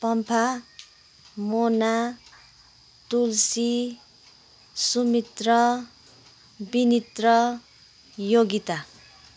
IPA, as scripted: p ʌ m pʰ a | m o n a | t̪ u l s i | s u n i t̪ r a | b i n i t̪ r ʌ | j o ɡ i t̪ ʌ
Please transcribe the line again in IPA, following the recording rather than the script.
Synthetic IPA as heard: p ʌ m pʰ a | m o n a | t̪ u l s i | s u m i t̪ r ʌ | b i n i t̪ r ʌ | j o ɡ i t̪ a